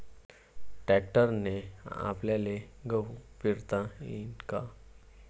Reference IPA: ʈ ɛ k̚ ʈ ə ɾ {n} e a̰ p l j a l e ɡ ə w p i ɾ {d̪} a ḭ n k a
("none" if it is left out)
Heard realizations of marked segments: n, t̪

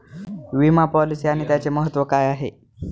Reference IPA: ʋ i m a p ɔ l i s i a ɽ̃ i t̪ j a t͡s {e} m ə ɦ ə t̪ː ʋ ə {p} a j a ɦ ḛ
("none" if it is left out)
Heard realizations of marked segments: e, k

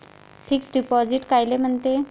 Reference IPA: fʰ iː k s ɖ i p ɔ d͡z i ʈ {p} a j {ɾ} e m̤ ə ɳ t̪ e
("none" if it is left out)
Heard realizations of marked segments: k, l

